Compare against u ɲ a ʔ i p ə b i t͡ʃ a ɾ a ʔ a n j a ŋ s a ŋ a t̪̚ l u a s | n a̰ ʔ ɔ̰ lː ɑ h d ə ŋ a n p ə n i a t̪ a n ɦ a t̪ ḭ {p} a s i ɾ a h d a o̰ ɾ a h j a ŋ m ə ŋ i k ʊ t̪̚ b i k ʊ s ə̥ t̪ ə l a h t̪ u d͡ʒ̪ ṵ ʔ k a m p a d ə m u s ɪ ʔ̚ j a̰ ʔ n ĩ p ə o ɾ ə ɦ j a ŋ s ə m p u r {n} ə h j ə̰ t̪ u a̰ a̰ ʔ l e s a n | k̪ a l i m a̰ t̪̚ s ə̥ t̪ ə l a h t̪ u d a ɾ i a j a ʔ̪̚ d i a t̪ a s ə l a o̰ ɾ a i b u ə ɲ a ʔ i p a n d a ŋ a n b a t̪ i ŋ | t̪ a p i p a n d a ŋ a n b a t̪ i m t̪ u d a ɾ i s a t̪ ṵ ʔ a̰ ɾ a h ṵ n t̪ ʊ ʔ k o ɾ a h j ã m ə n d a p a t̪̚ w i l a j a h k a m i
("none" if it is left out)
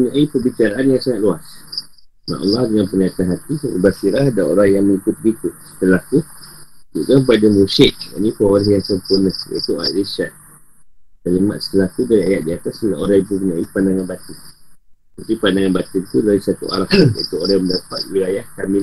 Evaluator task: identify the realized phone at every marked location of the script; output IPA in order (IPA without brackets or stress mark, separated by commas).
b, n